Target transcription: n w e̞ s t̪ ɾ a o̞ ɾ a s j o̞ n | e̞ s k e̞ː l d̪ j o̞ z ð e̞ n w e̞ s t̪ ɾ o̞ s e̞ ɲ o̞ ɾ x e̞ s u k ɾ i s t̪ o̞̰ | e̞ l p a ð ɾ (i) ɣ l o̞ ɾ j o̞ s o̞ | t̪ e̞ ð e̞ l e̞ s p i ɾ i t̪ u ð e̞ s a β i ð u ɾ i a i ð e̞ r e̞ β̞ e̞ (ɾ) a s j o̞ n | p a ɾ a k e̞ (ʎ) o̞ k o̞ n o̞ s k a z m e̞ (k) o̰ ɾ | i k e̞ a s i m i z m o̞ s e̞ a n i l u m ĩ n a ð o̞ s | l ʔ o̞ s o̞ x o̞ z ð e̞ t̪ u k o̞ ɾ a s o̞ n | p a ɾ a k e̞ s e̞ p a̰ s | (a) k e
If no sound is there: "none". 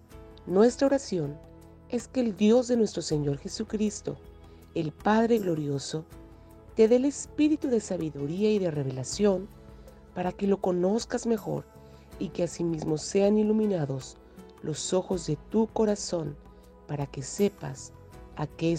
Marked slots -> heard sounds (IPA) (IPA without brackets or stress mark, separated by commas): e, l, l, x, a